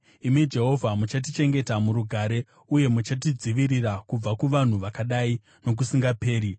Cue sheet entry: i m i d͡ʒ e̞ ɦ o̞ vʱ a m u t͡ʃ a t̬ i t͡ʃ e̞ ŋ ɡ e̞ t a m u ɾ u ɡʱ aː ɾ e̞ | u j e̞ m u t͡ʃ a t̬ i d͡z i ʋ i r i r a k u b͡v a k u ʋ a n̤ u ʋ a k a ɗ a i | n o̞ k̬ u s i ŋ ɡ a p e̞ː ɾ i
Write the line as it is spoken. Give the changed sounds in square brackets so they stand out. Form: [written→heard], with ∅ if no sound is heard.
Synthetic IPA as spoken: i m i d͡ʒ e̞ ɦ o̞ vʱ a m u t͡ʃ a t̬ i t͡ʃ e̞ ŋ ɡ e̞ t a m u ɾ u ɡʱ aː ɾ e̞ | u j e̞ m u t͡ʃ a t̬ i d͡z i ʋ i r i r a k u b͡v a k u ʋ a n̤ u ʋ a k a ɗ a i | n o̞ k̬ u s i ŋ ɡ a p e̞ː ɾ i